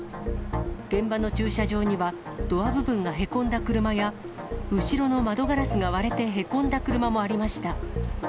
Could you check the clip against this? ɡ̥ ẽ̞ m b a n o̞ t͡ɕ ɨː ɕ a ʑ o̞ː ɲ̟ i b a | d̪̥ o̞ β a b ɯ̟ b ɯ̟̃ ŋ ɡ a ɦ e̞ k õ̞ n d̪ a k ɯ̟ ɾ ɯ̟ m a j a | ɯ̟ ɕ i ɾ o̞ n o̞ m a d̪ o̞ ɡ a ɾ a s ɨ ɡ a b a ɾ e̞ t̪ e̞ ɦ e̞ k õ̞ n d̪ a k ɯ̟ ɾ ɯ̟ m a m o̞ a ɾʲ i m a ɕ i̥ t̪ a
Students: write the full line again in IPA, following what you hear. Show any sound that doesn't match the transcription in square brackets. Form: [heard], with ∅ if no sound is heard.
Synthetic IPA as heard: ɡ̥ ẽ̞ m b a n o̞ t͡ɕ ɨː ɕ a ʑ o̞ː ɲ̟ i [β] a | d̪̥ o̞ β a b ɯ̟ b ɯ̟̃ ŋ ɡ a ɦ e̞ k õ̞ n d̪ a k ɯ̟ ɾ ɯ̟ m a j a | ɯ̟ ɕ i ɾ o̞ n o̞ m a d̪ o̞ ɡ a ɾ a s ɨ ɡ a [β] a ɾ e̞ t̪ e̞ ɦ e̞ k õ̞ n d̪ a k ɯ̟ ɾ ɯ̟ m a m o̞ a ɾʲ i m a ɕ i̥ t̪ a